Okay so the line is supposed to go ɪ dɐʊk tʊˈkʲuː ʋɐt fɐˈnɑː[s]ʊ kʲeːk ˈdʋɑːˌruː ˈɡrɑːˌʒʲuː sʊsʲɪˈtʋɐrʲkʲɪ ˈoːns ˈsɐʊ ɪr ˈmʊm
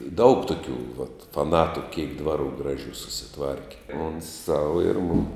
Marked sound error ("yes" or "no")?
yes